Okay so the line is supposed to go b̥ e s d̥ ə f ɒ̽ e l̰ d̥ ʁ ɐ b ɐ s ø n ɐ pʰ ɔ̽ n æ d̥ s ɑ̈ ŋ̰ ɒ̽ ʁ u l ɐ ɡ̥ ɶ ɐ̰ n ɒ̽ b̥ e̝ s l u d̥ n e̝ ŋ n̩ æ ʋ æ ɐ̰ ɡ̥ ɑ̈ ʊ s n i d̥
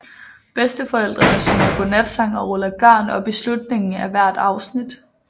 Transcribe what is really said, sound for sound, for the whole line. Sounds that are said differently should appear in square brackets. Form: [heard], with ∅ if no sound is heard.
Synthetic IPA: b̥ e s d̥ ə f ɒ̽ e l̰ d̥ ʁ ɐ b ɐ s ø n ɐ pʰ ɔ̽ n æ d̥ s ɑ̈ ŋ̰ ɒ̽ ʁ [ɔ] l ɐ ɡ̥ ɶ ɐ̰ n ɒ̽ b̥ e̝ s l u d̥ n e̝ ŋ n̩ æ ʋ æ ɐ̰ [d̥] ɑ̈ ʊ s n i d̥